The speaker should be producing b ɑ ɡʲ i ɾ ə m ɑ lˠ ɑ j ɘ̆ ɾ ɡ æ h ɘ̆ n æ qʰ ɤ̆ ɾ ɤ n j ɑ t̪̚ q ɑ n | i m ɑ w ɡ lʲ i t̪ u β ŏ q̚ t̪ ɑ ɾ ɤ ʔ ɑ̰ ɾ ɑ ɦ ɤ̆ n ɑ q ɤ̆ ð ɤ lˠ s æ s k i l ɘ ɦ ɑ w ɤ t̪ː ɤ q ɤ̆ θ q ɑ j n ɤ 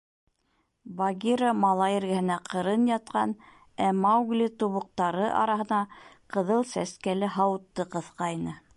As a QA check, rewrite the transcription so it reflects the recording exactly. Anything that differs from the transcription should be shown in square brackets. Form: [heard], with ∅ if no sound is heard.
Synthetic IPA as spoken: b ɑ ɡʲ i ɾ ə m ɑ lˠ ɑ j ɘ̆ ɾ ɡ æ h ɘ̆ n æ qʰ ɤ̆ ɾ ɤ n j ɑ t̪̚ q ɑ n | [æ] m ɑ w ɡ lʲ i t̪ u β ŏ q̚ t̪ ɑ ɾ ɤ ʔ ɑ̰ ɾ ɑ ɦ ɤ̆ n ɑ q ɤ̆ ð ɤ lˠ s æ s k [æ] l ɘ ɦ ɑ w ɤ t̪ː ɤ q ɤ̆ θ q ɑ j n ɤ